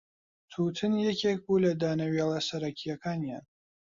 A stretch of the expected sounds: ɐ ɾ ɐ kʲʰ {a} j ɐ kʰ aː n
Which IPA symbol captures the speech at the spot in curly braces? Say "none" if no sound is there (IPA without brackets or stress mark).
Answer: i